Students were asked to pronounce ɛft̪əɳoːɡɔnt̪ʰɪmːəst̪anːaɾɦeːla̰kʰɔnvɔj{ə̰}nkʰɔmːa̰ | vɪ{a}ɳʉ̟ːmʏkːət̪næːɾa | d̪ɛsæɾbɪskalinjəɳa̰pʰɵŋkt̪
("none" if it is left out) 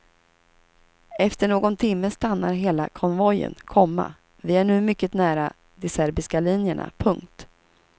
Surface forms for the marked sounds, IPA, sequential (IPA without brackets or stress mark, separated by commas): ə̰, æ